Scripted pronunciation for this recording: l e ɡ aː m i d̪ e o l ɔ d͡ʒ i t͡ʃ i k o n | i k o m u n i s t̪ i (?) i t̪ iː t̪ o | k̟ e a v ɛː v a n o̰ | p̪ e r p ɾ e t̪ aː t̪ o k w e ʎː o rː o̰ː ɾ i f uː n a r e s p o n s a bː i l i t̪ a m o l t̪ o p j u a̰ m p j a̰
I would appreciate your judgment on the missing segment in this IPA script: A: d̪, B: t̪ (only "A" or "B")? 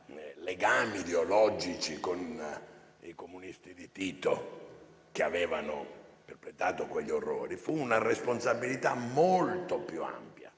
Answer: A